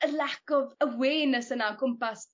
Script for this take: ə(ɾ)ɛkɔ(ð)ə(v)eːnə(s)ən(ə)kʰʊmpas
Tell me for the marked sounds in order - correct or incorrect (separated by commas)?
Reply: incorrect, incorrect, incorrect, correct, incorrect